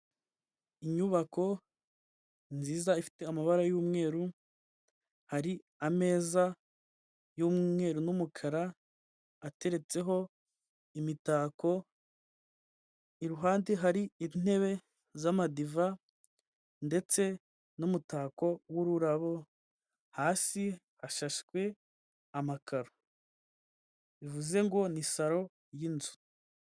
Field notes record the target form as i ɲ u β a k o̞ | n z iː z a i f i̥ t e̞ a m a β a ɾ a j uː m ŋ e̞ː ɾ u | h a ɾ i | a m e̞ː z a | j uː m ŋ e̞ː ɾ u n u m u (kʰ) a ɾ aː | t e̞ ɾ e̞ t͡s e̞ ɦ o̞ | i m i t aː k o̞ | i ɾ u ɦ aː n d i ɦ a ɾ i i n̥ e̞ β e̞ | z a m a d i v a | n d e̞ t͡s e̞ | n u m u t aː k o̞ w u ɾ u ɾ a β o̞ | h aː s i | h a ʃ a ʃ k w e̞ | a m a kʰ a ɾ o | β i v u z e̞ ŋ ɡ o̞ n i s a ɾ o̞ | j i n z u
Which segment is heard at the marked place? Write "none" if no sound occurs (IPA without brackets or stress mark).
kʰ